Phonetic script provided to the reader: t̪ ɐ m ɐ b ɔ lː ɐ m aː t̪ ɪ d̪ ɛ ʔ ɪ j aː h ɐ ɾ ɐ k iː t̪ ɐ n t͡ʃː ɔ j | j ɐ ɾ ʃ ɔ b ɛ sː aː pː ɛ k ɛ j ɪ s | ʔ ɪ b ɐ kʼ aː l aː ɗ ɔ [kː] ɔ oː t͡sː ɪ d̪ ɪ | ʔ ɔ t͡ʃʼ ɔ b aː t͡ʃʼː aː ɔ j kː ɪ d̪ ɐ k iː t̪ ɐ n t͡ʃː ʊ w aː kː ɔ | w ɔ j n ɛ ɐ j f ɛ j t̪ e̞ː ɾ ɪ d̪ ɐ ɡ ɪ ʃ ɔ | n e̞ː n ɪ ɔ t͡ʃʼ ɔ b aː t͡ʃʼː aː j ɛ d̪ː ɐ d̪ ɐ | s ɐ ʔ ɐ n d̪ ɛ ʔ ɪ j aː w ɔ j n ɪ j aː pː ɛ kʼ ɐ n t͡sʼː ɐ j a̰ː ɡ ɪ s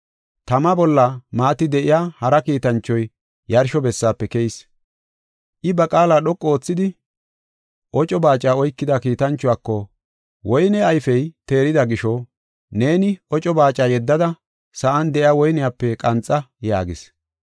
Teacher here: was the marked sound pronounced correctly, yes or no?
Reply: no